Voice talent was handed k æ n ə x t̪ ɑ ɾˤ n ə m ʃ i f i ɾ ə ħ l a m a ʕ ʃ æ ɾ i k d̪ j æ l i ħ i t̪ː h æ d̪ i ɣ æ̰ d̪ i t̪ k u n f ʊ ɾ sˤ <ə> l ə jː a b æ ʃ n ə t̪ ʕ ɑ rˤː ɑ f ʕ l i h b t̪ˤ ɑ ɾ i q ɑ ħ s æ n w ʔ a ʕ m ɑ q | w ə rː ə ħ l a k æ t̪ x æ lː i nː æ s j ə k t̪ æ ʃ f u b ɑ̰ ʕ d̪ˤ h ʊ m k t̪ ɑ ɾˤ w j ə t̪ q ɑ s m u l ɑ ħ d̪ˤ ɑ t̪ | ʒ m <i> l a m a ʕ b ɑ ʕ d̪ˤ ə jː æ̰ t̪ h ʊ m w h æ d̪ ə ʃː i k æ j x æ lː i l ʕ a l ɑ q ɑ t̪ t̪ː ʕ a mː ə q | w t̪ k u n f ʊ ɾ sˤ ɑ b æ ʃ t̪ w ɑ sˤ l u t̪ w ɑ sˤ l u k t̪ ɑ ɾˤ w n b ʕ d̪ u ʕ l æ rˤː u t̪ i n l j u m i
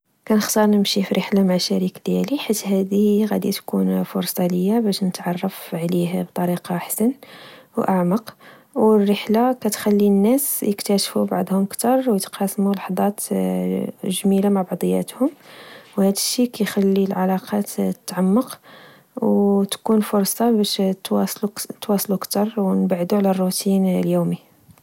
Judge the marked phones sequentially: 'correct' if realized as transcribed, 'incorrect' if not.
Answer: incorrect: ɑ, correct

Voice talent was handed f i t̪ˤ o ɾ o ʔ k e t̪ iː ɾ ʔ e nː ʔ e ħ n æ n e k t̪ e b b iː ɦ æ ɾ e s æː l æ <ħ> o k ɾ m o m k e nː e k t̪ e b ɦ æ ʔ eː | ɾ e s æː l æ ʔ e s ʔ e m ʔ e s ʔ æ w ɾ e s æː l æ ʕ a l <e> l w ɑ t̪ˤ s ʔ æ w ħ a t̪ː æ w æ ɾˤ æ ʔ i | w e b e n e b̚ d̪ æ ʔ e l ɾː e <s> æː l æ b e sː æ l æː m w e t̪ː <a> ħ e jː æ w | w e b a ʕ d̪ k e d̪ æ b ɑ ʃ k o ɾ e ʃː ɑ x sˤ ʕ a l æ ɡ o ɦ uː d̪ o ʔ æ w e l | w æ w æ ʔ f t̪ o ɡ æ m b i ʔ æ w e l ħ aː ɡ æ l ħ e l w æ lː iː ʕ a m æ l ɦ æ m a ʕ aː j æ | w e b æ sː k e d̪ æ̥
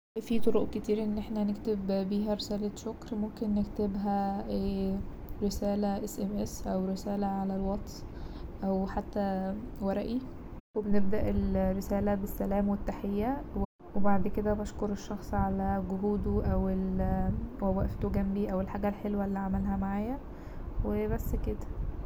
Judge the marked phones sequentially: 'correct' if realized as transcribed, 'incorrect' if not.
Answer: incorrect: ʃ, incorrect: æ, correct, correct

